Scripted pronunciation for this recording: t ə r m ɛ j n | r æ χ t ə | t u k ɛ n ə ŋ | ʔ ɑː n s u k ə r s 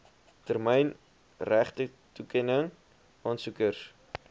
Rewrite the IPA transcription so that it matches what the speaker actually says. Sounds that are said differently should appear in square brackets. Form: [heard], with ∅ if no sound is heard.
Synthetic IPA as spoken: t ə r m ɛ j n | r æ χ t ə | t u k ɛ n ə ŋ | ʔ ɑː n s u k ə r s